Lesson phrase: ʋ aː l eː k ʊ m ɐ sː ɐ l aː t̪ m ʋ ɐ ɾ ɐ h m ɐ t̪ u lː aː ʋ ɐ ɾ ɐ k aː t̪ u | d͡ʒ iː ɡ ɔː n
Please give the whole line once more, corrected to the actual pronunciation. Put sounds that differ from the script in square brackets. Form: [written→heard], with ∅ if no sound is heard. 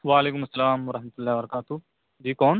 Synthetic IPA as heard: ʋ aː l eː k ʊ m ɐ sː ɐ l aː [t̪→∅] m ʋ ɐ ɾ ɐ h m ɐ t̪ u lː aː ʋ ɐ ɾ ɐ k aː t̪ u | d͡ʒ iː [ɡ→k] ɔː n